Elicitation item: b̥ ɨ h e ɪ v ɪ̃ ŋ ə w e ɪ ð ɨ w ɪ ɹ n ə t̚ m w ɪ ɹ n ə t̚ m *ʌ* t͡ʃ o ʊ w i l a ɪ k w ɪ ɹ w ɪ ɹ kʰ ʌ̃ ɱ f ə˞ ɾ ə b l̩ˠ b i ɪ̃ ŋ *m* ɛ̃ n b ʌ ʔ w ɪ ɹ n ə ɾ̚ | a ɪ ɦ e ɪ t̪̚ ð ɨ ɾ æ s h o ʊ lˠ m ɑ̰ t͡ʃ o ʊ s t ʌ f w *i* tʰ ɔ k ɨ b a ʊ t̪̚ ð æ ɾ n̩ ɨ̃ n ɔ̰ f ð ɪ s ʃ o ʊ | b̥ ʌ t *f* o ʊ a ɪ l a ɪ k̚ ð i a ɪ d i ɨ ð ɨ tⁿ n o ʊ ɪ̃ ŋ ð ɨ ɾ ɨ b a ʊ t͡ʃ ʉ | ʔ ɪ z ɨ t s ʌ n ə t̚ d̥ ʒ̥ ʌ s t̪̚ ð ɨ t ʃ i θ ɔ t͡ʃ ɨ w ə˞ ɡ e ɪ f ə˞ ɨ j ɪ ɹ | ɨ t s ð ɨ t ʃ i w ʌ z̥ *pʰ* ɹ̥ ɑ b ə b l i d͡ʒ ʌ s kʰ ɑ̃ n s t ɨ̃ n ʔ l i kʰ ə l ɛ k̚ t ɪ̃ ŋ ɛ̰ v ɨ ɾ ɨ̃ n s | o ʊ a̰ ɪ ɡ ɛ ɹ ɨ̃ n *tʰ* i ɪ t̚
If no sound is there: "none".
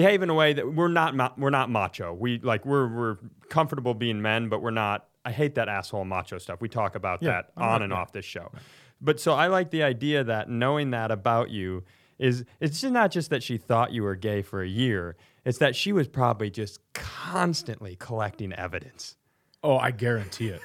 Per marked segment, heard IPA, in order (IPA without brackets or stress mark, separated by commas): ɑ, m, i, s, pʰ, tʰ